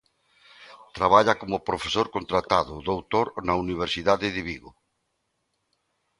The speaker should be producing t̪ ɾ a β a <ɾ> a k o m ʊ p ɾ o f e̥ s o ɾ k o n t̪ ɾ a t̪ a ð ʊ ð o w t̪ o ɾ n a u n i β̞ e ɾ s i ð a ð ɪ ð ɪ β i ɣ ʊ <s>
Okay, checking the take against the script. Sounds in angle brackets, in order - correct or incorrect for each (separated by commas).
incorrect, incorrect